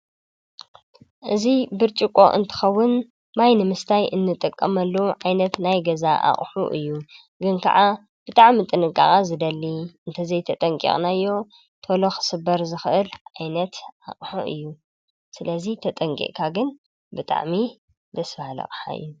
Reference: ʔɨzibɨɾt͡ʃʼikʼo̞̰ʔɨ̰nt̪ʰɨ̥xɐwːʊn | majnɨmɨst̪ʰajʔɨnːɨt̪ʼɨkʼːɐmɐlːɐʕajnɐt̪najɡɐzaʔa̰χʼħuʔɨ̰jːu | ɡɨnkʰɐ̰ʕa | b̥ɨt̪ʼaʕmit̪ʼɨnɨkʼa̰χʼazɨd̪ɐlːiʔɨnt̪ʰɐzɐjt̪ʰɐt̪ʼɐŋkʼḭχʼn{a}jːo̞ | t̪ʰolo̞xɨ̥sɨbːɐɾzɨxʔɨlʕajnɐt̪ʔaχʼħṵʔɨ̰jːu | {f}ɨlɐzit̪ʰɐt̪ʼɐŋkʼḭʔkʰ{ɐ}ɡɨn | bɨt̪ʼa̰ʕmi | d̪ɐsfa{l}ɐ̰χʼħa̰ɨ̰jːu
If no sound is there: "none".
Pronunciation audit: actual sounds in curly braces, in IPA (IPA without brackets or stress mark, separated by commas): a, s, a, l